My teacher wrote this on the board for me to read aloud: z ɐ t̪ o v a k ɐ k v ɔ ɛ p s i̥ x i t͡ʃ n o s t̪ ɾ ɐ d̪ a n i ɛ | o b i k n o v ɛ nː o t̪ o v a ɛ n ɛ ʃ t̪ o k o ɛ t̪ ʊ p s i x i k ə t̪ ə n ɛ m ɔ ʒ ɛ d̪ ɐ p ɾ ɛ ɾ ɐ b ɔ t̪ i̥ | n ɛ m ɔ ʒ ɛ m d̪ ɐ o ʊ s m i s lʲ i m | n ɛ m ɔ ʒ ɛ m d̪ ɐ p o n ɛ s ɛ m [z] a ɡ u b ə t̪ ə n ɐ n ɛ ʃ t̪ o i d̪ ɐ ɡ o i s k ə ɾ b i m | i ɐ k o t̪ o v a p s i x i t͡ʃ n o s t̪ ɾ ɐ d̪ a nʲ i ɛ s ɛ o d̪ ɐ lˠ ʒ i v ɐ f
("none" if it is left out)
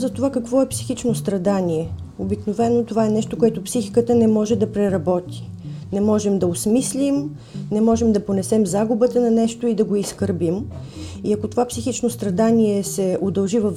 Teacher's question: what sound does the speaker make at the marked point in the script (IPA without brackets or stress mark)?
z